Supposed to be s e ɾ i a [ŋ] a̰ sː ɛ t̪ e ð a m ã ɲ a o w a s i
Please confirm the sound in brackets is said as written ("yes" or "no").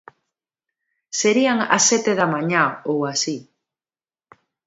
yes